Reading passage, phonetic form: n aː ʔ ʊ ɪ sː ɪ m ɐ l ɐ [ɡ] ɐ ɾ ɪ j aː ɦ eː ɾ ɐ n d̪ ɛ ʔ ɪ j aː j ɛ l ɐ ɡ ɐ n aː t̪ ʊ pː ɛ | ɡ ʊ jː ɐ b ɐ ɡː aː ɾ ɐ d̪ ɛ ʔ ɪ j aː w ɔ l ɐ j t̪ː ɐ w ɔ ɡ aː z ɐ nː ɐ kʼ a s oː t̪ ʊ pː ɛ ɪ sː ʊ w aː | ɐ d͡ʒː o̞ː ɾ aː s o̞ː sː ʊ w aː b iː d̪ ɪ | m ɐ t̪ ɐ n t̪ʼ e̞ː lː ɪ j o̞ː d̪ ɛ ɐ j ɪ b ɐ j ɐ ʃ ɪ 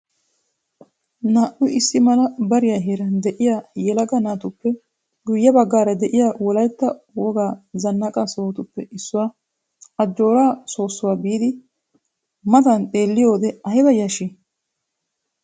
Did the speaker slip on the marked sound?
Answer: yes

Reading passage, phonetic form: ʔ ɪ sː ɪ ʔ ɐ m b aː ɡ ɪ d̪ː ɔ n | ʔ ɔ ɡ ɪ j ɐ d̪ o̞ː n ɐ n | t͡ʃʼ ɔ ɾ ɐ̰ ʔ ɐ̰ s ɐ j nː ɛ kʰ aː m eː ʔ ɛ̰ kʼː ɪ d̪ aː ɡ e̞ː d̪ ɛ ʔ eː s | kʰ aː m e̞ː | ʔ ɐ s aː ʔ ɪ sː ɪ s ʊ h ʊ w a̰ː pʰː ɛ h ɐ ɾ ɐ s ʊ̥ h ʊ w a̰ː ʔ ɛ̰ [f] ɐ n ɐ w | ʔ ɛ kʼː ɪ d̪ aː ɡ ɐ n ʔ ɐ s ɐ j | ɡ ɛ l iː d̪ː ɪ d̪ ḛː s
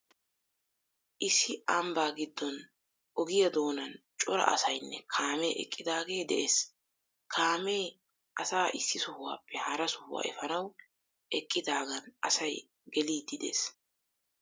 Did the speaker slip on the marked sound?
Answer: no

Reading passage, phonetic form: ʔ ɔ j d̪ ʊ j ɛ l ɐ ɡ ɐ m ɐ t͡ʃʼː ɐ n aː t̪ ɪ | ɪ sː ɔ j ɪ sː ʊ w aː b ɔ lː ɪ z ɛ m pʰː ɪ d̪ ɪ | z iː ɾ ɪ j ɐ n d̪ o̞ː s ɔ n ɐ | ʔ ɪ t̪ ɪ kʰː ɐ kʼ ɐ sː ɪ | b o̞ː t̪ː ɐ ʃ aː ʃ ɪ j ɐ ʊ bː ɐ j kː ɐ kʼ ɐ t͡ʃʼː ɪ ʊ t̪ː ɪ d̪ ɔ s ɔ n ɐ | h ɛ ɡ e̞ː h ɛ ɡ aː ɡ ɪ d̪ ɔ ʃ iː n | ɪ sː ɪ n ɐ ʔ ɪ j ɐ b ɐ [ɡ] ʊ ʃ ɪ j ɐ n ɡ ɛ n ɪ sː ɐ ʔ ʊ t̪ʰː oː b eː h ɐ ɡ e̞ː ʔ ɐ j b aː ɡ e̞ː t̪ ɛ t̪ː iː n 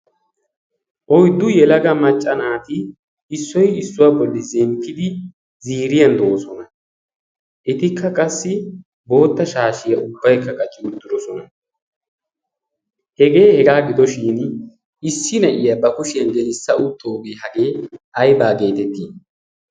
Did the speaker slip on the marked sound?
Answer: yes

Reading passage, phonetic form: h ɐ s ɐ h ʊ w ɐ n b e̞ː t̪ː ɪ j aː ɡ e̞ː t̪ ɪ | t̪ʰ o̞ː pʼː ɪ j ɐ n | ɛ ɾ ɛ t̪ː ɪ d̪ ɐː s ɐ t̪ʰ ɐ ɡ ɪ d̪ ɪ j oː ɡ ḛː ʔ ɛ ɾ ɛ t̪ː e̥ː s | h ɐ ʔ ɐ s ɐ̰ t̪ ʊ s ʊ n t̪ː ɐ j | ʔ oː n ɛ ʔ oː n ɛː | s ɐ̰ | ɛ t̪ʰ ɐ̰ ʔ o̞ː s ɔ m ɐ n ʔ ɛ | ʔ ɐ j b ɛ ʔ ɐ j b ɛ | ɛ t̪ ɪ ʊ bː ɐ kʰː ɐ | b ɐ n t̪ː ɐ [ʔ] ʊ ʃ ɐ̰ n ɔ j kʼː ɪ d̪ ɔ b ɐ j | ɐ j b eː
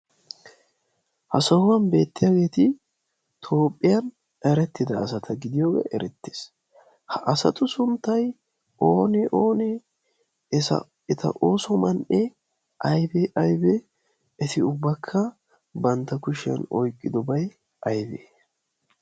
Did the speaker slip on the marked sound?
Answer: yes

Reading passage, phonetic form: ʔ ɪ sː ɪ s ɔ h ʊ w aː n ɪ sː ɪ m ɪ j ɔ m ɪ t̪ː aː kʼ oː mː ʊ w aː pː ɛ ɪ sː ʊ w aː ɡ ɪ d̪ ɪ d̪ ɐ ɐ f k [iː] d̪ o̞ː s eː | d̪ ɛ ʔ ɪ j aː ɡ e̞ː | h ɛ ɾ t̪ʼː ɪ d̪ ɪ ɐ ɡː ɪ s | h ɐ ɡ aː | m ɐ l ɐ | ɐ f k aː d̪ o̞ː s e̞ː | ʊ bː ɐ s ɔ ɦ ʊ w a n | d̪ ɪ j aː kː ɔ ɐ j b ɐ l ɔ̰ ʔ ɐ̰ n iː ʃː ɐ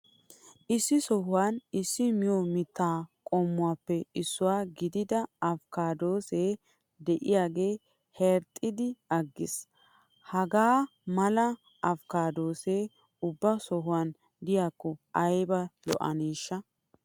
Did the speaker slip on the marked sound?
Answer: yes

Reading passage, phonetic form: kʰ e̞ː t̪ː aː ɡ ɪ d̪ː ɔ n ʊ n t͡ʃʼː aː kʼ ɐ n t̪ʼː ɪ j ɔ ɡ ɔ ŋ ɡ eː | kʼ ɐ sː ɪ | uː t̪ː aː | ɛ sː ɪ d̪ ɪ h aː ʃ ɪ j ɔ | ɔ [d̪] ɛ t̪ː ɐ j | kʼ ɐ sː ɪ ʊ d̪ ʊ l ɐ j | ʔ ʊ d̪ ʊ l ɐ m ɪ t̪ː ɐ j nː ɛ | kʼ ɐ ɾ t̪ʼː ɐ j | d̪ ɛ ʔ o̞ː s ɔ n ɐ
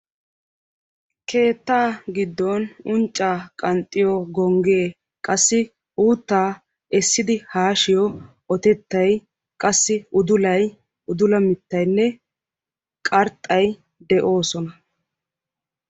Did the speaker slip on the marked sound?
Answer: yes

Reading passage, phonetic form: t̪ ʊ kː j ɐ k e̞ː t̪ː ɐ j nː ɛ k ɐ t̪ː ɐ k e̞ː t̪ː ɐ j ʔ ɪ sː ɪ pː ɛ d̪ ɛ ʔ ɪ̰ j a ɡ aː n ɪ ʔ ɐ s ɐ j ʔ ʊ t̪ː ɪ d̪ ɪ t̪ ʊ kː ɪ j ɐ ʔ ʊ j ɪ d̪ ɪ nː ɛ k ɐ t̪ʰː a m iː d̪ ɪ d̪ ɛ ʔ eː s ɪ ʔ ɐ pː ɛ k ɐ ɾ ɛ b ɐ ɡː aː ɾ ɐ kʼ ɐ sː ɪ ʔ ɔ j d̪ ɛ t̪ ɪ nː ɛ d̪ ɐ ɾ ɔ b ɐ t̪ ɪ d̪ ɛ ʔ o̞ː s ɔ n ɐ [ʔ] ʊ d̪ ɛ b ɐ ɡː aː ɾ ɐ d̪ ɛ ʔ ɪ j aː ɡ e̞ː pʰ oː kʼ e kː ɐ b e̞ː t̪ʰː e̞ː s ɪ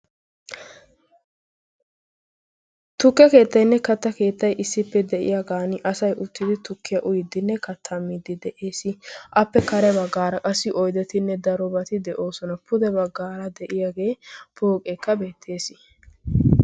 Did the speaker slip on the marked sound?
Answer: yes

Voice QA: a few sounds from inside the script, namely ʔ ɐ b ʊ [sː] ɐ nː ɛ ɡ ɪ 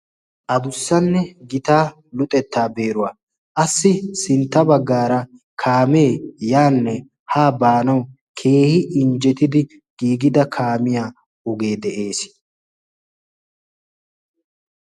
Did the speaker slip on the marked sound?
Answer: no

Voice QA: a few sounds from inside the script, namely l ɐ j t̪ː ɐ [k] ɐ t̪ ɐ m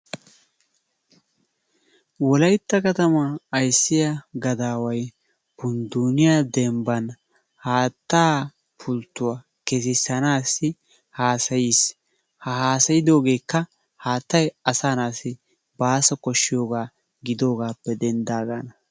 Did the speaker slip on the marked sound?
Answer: no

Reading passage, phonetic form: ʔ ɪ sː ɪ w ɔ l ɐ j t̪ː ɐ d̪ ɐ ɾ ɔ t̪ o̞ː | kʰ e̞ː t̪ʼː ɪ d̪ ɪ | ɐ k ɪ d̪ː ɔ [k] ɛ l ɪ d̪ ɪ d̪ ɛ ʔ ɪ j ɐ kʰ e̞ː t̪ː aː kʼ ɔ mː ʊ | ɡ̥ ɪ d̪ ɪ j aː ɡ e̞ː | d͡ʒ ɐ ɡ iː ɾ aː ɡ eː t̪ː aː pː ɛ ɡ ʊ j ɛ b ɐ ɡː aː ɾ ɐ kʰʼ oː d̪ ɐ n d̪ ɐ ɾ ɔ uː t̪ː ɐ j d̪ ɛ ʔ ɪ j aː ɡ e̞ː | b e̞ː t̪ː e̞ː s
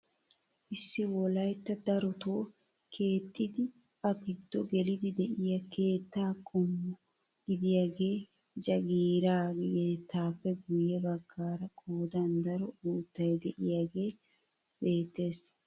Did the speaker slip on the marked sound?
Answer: yes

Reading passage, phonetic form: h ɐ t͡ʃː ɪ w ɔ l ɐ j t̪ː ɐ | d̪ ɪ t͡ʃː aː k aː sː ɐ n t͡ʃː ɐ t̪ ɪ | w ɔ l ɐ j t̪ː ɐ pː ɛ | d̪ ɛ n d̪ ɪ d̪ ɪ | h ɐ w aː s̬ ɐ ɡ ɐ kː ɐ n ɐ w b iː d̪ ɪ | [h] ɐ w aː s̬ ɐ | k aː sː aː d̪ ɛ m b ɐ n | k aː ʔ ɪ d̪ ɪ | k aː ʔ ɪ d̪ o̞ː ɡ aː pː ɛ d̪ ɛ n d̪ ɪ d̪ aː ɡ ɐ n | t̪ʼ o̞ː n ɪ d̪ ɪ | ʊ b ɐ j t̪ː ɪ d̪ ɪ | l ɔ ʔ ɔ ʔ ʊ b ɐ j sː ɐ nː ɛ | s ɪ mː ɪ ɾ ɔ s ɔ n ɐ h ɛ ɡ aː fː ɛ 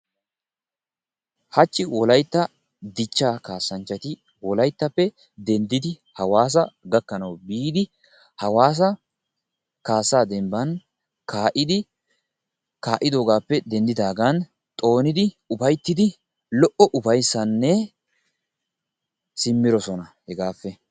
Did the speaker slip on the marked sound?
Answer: no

